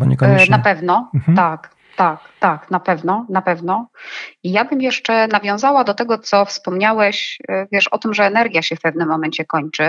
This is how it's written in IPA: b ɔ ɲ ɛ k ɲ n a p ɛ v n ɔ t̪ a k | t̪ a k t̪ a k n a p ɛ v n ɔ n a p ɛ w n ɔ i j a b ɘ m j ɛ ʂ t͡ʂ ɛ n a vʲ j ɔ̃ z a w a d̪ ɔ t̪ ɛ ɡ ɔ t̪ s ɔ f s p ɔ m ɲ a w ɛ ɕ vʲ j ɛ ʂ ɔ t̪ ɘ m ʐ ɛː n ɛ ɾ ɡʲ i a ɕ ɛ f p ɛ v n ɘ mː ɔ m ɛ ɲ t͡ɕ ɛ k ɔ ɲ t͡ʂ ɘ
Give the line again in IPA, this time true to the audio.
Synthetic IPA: b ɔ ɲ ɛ k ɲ n a p ɛ v n ɔ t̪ a k | t̪ a k t̪ a k n a p ɛ v n ɔ n a p ɛ v n ɔ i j a b ɘ m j ɛ ʂ t͡ʂ ɛ n a vʲ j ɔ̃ z a w a d̪ ɔ t̪ ɛ ɡ ɔ t̪ s ɔ f s p ɔ m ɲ a w ɛ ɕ vʲ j ɛ ʂ ɔ t̪ ɘ m ʐ ɛː n ɛ ɾ ɡʲ j a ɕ ɛ f p ɛ v n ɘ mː ɔ m ɛ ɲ t͡ɕ ɛ k ɔ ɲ t͡ʂ ɘ